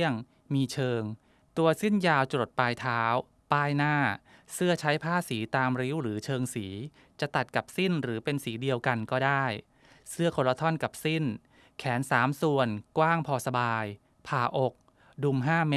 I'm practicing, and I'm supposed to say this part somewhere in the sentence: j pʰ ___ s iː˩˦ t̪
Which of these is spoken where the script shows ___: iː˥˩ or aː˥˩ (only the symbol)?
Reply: aː˥˩